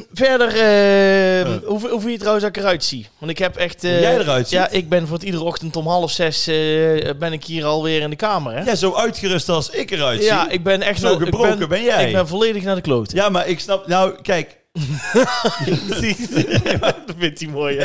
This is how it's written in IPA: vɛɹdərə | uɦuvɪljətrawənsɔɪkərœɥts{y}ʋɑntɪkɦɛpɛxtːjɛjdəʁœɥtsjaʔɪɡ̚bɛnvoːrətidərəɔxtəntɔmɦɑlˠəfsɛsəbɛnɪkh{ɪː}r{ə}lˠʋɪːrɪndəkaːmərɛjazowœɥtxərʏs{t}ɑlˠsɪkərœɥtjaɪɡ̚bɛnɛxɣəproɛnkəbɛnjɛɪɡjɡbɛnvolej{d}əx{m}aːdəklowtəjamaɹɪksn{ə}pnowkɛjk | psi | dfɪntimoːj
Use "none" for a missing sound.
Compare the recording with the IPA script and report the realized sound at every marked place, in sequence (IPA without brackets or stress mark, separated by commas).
i, iː, ɑ, t, d, n, ɑ